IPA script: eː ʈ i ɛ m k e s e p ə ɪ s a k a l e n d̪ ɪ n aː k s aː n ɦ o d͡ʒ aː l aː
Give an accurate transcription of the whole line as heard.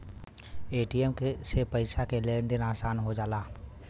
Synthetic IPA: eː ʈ i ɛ m k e s e p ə ɪ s a k e l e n d̪ ɪ n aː s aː n ɦ o d͡ʒ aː l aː

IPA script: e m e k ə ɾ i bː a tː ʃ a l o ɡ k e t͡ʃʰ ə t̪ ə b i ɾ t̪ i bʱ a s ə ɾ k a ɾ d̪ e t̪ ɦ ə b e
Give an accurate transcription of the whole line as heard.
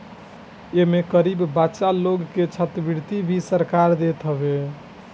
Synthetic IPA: e m e k ə ɾ i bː a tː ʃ a l o ɡ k e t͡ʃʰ ə t̪ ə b i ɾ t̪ i bʱ i s ə ɾ k a ɾ d̪ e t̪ ɦ ə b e

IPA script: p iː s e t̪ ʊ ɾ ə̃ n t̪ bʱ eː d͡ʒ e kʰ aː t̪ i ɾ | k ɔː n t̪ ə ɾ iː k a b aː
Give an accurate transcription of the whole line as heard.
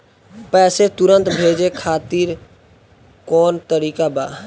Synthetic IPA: p ɛː s e t̪ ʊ ɾ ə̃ n t̪ bʱ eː d͡ʒ e kʰ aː t̪ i ɾ | k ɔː n t̪ ə ɾ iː k a b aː

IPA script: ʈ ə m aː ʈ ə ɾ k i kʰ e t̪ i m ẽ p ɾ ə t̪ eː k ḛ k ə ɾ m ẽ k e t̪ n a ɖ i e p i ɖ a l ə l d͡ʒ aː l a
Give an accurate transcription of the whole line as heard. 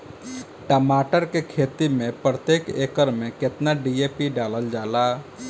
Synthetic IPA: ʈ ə m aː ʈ ə ɾ k e kʰ e t̪ i m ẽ p ɾ ə t̪ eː k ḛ k ə ɾ m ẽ k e t̪ n a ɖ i e p i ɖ a l ə l d͡ʒ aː l a

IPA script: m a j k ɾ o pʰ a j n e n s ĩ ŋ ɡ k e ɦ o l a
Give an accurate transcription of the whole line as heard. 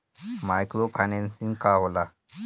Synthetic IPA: m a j k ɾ o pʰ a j n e n s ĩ ŋ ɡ k a ɦ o l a

